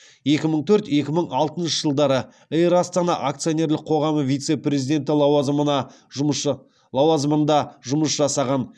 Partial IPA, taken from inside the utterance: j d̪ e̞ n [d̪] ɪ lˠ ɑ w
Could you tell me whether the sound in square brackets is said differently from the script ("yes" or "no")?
yes